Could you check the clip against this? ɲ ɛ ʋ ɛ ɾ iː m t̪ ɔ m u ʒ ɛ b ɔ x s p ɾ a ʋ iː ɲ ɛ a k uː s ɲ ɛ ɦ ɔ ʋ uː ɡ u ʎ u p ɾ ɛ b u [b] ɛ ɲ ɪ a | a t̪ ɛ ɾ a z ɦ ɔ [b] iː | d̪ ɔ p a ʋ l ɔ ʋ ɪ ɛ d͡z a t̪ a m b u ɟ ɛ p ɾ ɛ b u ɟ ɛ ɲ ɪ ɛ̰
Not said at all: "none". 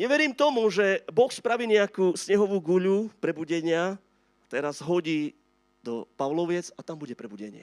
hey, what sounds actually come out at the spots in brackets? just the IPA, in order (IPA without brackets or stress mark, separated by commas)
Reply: ɟ, ɟ